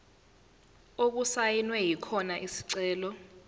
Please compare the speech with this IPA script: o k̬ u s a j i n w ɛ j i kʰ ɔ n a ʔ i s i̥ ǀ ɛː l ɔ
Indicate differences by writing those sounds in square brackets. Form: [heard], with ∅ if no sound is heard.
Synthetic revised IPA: o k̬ u s a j i n w ɛ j i kʰ ɔ n a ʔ i s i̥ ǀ ɛː l ɔ